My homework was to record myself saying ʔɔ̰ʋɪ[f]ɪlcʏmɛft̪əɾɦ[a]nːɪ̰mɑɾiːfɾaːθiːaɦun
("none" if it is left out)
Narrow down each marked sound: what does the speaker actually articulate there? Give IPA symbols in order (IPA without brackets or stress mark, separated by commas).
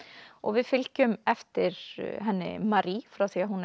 f, ɛ